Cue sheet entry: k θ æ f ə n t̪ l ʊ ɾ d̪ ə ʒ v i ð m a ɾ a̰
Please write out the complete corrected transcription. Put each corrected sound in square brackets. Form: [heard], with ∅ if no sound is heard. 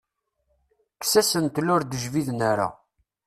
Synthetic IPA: k [s] æ [s] ə n t̪ l ʊ ɾ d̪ ə ʒ v i ð [n] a ɾ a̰